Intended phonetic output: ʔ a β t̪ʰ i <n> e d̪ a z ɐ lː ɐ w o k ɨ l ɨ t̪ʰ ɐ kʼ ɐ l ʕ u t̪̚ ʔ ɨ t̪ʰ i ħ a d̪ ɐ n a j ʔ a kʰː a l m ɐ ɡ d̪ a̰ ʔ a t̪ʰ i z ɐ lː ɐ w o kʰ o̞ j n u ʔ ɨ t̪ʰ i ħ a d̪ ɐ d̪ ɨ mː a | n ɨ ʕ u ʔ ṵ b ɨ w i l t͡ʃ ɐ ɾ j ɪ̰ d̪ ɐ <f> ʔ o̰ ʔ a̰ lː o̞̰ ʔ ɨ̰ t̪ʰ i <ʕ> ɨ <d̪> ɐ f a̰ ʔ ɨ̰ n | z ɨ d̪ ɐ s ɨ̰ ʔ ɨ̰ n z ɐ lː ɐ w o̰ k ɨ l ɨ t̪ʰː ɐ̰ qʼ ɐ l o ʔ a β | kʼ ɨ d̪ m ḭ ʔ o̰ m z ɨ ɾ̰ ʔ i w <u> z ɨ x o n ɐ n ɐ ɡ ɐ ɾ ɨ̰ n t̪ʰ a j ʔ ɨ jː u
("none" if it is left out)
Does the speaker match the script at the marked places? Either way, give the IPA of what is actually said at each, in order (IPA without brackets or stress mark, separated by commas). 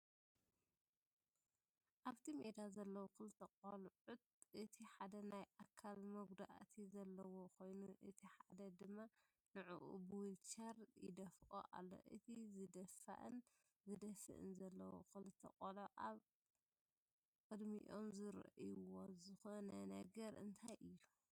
m, f, z, d̪, o